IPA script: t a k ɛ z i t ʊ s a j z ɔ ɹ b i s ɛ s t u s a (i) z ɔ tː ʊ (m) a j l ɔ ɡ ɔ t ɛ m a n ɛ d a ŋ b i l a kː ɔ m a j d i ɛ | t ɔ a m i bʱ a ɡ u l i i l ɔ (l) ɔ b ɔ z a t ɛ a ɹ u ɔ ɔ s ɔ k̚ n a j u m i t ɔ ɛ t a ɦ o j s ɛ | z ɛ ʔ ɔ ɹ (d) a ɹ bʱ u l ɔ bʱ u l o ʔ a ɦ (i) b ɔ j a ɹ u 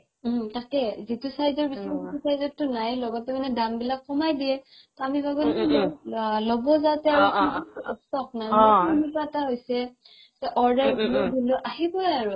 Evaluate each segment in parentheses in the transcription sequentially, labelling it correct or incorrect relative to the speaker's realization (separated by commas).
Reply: incorrect, incorrect, correct, correct, correct